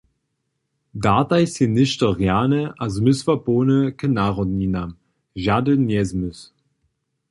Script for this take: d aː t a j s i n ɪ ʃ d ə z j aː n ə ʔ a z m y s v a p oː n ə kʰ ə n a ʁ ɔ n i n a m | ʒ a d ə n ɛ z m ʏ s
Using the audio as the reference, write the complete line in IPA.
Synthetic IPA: d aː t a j s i n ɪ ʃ t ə ʁ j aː n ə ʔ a z m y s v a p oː n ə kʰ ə n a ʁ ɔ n i n a m | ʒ a d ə n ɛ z m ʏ s

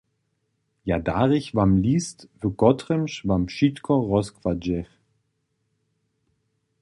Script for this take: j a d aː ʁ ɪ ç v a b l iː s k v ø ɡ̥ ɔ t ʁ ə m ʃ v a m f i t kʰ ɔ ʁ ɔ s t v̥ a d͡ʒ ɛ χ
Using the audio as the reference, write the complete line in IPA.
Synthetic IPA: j a d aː ʁ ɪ ç v a m l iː s t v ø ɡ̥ ɔ t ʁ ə m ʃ v a m ʃ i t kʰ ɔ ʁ ɔ s k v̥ a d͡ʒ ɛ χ

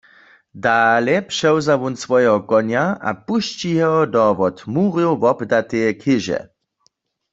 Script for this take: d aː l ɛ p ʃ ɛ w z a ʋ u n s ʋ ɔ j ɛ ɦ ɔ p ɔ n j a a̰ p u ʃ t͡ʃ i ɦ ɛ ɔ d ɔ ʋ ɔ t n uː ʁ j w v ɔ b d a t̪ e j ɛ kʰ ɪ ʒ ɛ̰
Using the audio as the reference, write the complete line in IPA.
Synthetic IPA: d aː l ɛ p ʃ ɛ w z a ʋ u n s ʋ ɔ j ɛ ɦ ɔ k ɔ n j a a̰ p u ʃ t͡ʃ i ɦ ɛ ɔ d ɔ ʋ ɔ t m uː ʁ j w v ɔ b d a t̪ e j ɛ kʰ ɪ ʒ ɛ̰

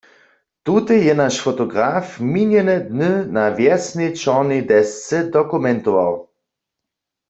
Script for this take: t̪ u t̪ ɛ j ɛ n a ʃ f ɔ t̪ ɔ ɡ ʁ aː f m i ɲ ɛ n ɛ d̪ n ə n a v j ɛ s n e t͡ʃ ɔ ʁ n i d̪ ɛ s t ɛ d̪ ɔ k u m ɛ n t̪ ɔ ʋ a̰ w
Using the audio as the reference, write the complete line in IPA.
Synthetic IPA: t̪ u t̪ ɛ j ɛ n a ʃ f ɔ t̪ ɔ ɡ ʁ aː f m i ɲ ɛ n ɛ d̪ n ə n a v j ɛ s n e t͡ʃ ɔ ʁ n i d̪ ɛ s t͡s ɛ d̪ ɔ k u m ɛ n t̪ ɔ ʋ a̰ w

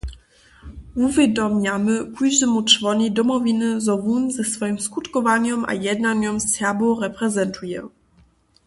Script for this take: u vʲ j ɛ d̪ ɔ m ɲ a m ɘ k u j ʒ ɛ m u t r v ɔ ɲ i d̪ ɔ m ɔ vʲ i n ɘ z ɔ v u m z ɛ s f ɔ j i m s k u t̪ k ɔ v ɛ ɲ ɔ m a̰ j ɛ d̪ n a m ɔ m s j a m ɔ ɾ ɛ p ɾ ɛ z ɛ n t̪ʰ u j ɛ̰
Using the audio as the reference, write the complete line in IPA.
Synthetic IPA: u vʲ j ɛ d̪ ɔ m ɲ a m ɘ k u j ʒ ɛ m u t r v ɔ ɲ i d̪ ɔ m ɔ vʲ i n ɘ z ɔ v u n z ɛ s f ɔ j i m s k u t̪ k ɔ v a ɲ ɔ m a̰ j ɛ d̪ n a ɲ ɔ m s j a b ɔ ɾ ɛ p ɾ ɛ z ɛ n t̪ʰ u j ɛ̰

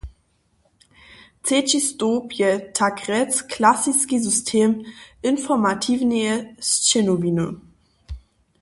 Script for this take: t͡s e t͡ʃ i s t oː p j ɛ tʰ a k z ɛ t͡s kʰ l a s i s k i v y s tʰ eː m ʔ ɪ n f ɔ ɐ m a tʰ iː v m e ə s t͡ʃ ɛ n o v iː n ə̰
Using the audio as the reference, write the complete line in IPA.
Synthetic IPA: t͡s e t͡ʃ i s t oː p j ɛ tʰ a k ʁ ɛ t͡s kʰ l a s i s k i z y s tʰ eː m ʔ ɪ n f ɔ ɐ m a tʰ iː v n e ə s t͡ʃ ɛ n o v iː n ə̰

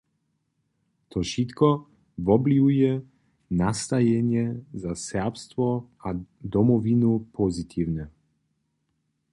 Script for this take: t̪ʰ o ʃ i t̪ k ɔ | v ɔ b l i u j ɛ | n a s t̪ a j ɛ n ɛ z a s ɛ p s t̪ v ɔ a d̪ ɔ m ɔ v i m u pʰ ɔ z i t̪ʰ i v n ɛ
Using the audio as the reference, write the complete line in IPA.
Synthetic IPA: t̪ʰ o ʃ i t̪ k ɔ | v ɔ b l i u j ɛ | n a s t̪ a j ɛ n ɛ z a s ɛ p s t̪ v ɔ a d̪ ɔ m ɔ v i n u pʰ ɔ z i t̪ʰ i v n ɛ

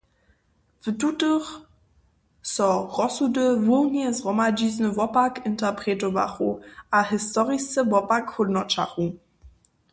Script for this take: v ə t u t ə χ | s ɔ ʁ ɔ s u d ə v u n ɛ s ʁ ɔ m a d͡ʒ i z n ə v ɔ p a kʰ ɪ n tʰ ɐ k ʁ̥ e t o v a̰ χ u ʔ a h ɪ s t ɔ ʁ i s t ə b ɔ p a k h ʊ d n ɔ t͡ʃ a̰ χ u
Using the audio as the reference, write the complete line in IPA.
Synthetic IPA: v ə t u t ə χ | s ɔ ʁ ɔ s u d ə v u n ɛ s ʁ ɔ m a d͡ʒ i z n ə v ɔ p a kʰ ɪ n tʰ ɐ p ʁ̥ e t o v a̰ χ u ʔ a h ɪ s t ɔ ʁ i s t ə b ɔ p a k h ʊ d n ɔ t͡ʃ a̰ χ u

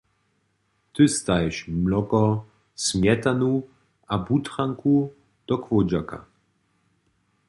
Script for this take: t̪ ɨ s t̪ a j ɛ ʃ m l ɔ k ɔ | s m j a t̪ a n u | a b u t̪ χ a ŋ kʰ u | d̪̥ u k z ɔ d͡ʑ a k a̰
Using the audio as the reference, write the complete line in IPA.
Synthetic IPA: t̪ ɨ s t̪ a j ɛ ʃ m l ɔ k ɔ | s m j ɛ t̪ a n u | a b u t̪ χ a ŋ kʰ u | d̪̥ ɔ k v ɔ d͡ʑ a k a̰

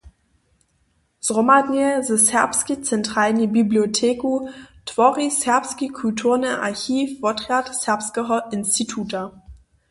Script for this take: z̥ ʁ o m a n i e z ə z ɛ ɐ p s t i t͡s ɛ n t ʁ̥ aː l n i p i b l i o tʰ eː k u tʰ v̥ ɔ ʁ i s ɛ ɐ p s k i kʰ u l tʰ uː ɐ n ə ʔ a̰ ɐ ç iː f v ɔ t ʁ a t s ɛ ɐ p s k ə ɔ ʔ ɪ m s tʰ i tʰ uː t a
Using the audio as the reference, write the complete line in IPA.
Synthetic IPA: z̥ ʁ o m a n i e z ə s ɛ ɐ p s k i t͡s ɛ n t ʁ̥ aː l n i b i b l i o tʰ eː k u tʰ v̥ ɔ ʁ i s ɛ ɐ p s k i kʰ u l tʰ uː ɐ n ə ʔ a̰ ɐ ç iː f v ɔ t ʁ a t s ɛ ɐ p s k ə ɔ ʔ ɪ n s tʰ i tʰ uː t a

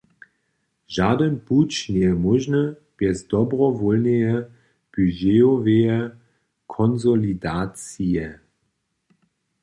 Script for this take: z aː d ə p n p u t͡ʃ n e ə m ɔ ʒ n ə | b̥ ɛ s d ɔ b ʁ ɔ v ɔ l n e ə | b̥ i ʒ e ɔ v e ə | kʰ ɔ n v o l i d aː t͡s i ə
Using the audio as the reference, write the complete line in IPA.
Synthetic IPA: ʒ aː d ə n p u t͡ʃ n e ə m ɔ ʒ n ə | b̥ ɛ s d ɔ b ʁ ɔ v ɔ l n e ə | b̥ y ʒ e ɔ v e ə | kʰ ɔ n z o l i d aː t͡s i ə

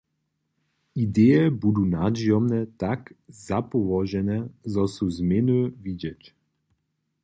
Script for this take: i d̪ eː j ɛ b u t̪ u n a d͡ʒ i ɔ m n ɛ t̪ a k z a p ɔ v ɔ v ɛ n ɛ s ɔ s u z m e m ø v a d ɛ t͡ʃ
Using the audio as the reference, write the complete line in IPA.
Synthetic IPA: i d̪ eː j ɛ b u d̪ u n a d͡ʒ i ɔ m n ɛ t̪ a k z a p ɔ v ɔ ʒ ɛ n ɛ z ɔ s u z m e n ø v i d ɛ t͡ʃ

